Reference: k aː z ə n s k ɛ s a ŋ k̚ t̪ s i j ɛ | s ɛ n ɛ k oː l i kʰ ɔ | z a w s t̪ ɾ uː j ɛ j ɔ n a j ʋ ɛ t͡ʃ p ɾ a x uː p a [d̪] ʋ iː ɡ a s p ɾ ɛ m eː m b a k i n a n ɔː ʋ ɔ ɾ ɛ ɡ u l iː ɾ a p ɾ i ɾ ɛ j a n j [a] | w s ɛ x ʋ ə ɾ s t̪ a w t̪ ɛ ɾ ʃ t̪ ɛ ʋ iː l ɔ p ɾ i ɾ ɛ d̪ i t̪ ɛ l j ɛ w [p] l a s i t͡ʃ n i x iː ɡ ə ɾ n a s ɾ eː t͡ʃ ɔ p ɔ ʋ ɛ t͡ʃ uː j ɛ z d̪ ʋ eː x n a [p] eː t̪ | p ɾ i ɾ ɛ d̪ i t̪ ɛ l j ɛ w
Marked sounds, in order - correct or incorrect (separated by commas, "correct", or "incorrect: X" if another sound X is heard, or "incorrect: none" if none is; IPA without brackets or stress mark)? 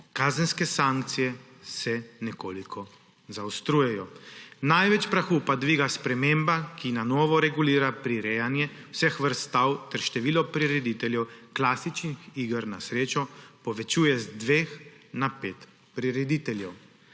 correct, incorrect: ɛ, incorrect: k, correct